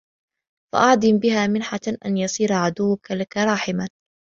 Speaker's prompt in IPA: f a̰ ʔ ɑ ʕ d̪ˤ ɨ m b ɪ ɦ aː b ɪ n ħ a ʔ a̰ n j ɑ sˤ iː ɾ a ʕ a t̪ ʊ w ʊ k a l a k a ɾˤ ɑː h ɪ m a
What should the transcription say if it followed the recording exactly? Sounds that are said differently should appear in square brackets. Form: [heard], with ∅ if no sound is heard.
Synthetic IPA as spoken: f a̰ ʔ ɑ ʕ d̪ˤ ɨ m b ɪ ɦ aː [m] ɪ n ħ a ʔ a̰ n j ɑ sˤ iː ɾ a ʕ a [d̪] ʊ [wː] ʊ k a l a k a ɾˤ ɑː [ħ] ɪ m a